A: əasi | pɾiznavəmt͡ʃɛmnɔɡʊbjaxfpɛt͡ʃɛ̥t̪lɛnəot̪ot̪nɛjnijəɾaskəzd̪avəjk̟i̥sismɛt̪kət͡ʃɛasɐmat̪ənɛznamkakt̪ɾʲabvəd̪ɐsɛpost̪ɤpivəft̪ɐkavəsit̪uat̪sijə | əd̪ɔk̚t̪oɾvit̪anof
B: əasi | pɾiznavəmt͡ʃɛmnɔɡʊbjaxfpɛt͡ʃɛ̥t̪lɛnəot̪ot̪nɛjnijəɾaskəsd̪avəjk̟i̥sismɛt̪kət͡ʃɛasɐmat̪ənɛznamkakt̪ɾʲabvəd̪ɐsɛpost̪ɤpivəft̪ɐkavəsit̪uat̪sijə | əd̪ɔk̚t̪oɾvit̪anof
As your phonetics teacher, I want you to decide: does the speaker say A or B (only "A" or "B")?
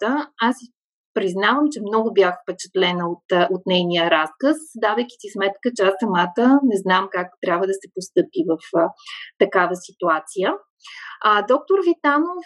B